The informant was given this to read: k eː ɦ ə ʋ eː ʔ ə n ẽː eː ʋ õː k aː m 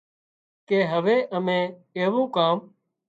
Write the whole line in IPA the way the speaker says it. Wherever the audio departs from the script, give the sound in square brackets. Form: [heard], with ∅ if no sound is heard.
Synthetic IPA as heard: k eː ɦ ə ʋ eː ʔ ə [m] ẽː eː ʋ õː k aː m